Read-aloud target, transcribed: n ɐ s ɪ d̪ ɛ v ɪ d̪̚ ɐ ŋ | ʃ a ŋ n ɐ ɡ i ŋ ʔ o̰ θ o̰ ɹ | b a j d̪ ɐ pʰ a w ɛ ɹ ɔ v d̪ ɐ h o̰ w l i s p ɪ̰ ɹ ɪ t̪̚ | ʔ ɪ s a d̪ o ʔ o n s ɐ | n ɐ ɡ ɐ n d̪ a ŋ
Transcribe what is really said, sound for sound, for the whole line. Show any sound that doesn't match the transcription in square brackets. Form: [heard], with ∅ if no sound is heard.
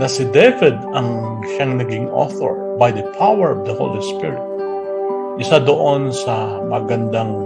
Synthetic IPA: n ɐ s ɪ d̪ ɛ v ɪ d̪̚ ɐ ŋ | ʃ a ŋ n ɐ ɡ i ŋ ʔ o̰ θ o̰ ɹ | b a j d̪ ɐ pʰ a w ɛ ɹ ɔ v d̪ ɐ h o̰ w l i s p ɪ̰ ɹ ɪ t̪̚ | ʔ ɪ s a d̪ o ʔ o n s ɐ | [m] ɐ ɡ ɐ n d̪ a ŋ